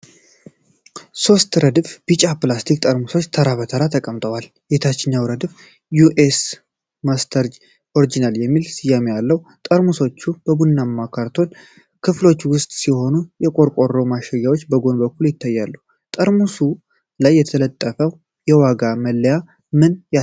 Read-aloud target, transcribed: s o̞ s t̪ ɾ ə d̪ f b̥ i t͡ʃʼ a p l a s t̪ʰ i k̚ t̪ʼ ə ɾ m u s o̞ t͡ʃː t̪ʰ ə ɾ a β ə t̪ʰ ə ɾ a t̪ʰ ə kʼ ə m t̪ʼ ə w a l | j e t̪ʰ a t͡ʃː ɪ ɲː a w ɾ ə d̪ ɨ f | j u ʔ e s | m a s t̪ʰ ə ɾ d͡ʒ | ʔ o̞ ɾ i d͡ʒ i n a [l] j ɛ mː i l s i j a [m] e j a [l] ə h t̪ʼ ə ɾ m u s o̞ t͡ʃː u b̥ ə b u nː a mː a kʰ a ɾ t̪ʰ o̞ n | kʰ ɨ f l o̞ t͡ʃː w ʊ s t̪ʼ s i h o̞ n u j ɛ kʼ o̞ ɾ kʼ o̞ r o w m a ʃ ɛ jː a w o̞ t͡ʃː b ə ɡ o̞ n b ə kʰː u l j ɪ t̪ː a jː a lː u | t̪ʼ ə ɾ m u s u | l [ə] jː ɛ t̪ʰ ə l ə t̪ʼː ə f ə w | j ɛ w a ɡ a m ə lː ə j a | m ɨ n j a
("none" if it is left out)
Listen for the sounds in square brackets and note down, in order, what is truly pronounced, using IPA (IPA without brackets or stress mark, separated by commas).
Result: l, m, lː, a